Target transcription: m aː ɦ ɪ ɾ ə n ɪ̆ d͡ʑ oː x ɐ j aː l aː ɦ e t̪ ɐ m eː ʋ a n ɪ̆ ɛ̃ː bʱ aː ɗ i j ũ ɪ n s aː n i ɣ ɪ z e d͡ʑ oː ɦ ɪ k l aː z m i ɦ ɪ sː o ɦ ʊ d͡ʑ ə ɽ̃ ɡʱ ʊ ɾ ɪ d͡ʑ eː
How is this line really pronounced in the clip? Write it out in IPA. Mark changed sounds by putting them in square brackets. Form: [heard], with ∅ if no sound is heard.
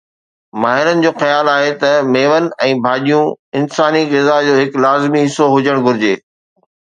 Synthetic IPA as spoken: m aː ɦ ɪ ɾ ə n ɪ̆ d͡ʑ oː x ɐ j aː l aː ɦ e t̪ ɐ m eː ʋ [ə] n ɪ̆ ɛ̃ː bʱ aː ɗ i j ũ ɪ n s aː n i ɣ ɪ z [a] d͡ʑ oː ɦ ɪ k l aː z m i ɦ ɪ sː o ɦ ʊ d͡ʑ ə ɽ̃ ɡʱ ʊ ɾ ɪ d͡ʑ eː